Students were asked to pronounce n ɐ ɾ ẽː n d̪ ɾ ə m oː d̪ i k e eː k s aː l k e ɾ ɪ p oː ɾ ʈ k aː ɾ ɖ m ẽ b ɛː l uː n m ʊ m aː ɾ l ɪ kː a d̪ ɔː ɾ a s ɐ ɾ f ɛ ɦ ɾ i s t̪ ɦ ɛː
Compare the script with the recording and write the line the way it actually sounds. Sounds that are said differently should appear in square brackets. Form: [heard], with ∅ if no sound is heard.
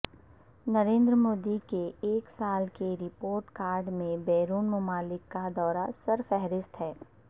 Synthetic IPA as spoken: n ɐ ɾ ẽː n d̪ ɾ ə m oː d̪ i k e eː k s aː l k e ɾ ɪ p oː ɾ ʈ k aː ɾ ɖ m ẽ b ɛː [ɾ] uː n m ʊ m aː [∅] l ɪ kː a d̪ ɔː ɾ a s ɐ ɾ f ɛ ɦ ɾ [ɪ] s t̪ ɦ ɛː